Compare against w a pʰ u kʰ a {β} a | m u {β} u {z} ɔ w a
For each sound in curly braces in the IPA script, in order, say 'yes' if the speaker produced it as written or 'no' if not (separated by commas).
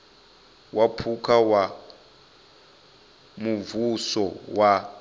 no, no, no